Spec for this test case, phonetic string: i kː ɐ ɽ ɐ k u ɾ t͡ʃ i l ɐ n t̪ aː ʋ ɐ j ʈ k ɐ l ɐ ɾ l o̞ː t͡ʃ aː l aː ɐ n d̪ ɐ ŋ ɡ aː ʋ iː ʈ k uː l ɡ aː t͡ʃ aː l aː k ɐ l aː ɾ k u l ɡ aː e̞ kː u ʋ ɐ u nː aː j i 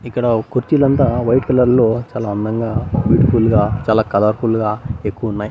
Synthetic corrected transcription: i kː ɐ ɽ ɐ k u ɾ t͡ʃ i l ɐ n t̪ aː ʋ ɐ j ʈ k ɐ l ɐ ɾ l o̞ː t͡ʃ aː l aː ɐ n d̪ ɐ ŋ ɡ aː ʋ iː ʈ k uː l ɡ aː t͡ʃ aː l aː k ɐ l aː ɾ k u l ɡ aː e̞ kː u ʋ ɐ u nː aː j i

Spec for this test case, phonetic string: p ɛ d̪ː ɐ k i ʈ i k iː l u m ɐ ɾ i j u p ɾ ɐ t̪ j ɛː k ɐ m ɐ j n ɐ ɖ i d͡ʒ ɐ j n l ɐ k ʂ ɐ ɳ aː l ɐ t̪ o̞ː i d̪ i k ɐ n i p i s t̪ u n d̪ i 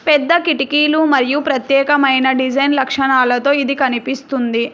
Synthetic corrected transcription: p ɛ d̪ː ɐ k i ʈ i k iː l u m ɐ ɾ i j u p ɾ ɐ t̪ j ɛː k ɐ m ɐ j n ɐ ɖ i d͡ʒ ɐ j n l ɐ k ʂ ɐ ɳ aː l ɐ t̪ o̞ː i d̪ i k ɐ n i p i s t̪ u n d̪ i

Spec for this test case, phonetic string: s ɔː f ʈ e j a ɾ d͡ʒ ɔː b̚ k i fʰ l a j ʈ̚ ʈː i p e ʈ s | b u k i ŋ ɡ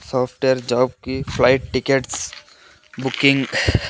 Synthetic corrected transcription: s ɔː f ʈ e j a ɾ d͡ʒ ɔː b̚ k i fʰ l a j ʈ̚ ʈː i k e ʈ s | b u k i ŋ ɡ

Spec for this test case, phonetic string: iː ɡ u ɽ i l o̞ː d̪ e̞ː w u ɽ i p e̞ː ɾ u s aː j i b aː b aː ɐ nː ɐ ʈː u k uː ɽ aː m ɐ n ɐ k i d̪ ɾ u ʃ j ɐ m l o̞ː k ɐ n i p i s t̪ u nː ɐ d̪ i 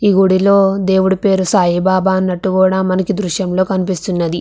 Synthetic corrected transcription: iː ɡ u ɽ i l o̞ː d̪ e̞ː w u ɽ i p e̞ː ɾ u s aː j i b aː b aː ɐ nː ɐ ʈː u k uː ɽ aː m ɐ n ɐ k i d̪ ɾ u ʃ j ɐ m l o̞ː k ɐ n i p i s t̪ u nː ɐ d̪ i

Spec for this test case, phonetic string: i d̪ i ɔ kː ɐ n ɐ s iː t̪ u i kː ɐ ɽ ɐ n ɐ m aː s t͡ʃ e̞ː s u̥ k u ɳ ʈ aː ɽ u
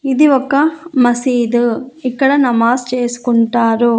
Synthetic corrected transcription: i d̪ i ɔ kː ɐ m ɐ s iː d̪ u i kː ɐ ɽ ɐ n ɐ m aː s t͡ʃ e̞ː s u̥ k u ɳ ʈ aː ɾ u

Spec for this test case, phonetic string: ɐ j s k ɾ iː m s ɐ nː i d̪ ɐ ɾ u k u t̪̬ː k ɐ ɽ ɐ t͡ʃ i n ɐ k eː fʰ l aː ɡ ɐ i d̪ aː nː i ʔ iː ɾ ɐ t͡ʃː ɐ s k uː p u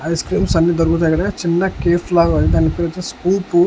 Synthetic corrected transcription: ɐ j s k ɾ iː m s ɐ nː i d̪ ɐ ɾ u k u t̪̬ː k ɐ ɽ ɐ t͡ʃ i nː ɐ k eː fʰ l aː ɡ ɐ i d̪ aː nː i p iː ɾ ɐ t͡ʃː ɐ s k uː p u

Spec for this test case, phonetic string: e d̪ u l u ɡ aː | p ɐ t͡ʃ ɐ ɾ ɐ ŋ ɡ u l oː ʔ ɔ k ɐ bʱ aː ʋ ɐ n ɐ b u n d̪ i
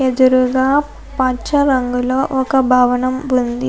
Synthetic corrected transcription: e d̪ u ɾ u ɡ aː | p ɐ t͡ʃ ɐ ɾ ɐ ŋ ɡ u l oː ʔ ɔ k ɐ bʱ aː ʋ ɐ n ɐ m u n d̪ i

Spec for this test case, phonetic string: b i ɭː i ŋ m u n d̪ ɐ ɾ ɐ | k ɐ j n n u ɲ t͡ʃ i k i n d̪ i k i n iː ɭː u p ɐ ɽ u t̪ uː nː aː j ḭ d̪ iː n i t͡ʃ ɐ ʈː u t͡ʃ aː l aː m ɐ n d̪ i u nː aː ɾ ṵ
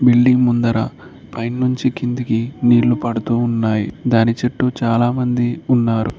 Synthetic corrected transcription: b i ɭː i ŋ m u n d̪ ɐ ɾ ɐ | p ɐ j n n u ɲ t͡ʃ i k i n d̪ i k i n iː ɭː u p ɐ ɽ u t̪ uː nː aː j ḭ d̪ aː n i t͡ʃ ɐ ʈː u t͡ʃ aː l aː m ɐ n d̪ i u nː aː ɾ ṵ

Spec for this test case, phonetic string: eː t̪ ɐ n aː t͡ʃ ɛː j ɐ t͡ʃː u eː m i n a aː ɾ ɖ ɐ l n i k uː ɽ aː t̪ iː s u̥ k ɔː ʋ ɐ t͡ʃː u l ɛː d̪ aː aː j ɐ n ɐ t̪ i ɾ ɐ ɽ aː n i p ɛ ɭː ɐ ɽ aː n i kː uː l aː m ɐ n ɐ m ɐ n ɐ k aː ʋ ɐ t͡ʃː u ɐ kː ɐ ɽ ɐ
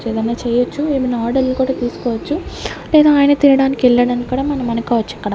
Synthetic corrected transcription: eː d̪ ɐ n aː t͡ʃ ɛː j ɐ t͡ʃː u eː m i n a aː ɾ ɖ ɐ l n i k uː ɽ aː t̪ iː s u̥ k ɔː ʋ ɐ t͡ʃː u l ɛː d̪ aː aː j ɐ n ɐ t̪ i ɾ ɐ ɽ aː n i k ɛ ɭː ɐ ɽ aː n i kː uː ɽ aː m ɐ n ɐ m ɐ n ɐ k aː ʋ ɐ t͡ʃː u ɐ kː ɐ ɽ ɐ

